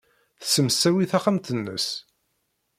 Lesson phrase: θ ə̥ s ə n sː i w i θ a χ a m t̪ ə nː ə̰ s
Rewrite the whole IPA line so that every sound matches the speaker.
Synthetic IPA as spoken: θ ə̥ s ə m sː æ w i θ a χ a m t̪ ə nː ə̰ s